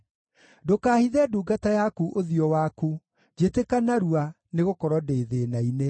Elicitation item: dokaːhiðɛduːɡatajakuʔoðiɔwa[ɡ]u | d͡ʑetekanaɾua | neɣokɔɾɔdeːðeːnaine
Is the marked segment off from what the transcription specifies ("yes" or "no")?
yes